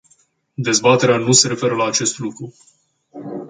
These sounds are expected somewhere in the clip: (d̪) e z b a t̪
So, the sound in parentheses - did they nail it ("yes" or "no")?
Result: yes